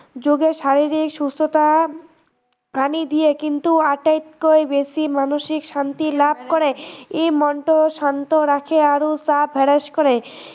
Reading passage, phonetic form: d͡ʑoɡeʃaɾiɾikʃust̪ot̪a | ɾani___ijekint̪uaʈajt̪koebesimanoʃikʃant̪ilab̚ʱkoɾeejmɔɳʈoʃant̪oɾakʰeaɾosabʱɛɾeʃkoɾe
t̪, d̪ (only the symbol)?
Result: d̪